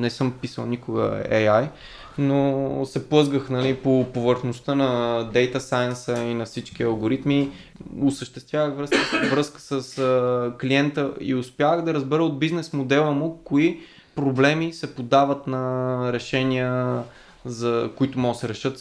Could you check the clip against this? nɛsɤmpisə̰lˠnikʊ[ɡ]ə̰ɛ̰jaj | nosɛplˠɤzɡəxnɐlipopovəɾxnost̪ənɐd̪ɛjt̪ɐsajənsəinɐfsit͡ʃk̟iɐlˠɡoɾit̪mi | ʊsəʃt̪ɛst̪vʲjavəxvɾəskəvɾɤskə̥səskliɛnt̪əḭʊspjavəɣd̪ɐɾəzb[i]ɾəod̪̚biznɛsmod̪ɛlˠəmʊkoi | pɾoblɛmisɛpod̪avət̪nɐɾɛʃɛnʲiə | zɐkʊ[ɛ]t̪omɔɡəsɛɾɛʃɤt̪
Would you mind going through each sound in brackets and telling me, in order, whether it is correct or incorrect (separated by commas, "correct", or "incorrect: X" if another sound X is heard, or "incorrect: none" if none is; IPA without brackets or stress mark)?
correct, incorrect: ɛ, incorrect: i